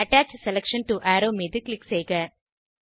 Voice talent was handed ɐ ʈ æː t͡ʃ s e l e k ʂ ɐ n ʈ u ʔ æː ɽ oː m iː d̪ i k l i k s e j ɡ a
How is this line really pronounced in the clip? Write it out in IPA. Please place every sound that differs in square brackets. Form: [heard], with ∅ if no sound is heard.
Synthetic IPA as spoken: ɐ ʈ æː t͡ʃ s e l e k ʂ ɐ n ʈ u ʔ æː [ɾ] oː m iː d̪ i k l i k s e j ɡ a